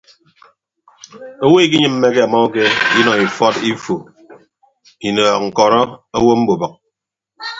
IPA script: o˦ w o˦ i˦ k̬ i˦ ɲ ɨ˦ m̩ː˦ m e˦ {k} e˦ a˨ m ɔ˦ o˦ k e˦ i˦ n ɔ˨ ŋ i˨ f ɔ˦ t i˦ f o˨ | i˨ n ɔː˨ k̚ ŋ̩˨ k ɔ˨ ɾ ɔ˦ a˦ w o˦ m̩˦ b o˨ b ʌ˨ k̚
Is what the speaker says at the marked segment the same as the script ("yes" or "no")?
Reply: yes